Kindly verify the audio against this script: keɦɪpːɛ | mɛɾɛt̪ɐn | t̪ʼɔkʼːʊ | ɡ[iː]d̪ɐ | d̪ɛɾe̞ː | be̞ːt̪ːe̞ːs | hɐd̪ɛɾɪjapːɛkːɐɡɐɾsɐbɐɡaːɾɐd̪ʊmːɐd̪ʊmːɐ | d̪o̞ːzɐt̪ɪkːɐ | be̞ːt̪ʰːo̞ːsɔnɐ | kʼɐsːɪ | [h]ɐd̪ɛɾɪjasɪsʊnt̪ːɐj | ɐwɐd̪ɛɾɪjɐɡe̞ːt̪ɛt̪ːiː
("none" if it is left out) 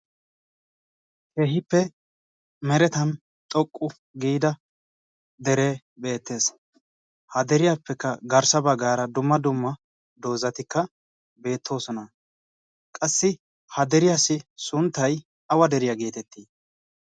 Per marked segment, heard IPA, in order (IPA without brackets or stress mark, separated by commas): iː, h